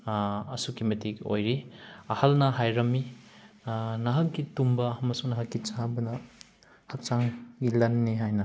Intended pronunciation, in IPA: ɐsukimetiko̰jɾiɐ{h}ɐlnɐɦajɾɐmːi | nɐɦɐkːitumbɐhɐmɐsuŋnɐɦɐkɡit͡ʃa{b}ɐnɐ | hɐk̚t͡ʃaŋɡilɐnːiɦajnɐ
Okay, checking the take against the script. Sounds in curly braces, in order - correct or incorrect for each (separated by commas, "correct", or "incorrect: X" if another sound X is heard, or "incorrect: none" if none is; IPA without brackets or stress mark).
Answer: correct, correct